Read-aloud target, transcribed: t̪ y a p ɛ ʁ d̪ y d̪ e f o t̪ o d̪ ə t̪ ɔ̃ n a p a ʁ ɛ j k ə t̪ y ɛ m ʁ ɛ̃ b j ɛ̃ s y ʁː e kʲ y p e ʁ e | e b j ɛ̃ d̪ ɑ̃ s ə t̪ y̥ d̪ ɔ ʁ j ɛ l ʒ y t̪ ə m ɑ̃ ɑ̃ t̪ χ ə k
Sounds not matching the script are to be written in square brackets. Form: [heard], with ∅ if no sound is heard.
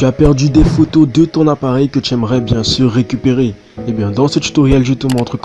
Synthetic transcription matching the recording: t̪ y a p ɛ ʁ d̪ y d̪ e f o t̪ o d̪ ə t̪ ɔ̃ n a p a ʁ ɛ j k ə t̪ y ɛ m ʁ [ɛ] b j ɛ̃ s y ʁː e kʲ y p e ʁ e | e b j ɛ̃ d̪ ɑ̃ s ə t̪ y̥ [t̪] ɔ ʁ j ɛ l ʒ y t̪ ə m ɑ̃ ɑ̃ t̪ χ ə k